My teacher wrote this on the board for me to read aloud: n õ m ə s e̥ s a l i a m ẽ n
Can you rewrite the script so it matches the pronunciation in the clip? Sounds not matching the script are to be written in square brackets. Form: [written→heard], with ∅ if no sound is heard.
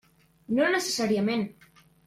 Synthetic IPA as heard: n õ [m→n] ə s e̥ s a [l→ɾ] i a m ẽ n